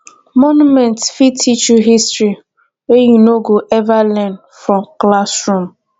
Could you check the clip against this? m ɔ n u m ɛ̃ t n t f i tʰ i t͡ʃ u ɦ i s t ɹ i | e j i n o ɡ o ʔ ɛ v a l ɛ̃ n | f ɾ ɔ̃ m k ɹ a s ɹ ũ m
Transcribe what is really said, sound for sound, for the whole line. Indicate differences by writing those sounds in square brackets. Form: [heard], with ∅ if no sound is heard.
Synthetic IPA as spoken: m ɔ n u m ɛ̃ [∅] n t f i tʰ i t͡ʃ u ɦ i s t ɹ i | e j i n o ɡ o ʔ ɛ v a l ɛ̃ n | f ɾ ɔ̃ m k [l] a s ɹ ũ m